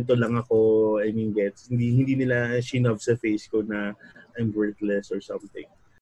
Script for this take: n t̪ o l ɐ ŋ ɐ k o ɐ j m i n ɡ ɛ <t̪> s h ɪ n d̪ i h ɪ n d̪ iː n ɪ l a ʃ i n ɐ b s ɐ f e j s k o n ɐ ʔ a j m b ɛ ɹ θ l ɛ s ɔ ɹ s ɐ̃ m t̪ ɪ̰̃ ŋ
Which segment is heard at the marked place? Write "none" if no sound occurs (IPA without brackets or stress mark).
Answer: t̪